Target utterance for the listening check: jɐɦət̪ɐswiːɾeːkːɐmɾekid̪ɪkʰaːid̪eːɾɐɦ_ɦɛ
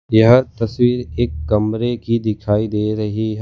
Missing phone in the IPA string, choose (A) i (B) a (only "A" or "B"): A